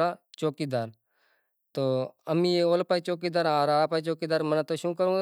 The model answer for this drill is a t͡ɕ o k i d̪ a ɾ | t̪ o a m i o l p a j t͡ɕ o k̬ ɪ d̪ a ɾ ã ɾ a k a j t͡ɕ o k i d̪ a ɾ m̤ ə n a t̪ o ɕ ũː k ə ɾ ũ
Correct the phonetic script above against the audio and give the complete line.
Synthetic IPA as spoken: a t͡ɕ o k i d̪ a ɾ | t̪ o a m i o l p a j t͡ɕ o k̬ i d̪ a ɾ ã ɾ a p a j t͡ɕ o k i d̪ a ɾ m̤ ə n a t̪ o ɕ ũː k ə ɾ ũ